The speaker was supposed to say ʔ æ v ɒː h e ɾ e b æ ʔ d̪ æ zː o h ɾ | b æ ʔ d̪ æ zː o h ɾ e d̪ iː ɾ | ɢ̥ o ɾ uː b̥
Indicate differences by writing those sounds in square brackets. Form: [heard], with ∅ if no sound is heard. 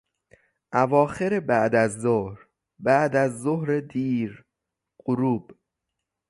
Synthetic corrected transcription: ʔ æ v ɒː [x] e ɾ e b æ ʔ d̪ æ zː o h ɾ | b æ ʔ d̪ æ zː o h ɾ e d̪ iː ɾ | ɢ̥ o ɾ uː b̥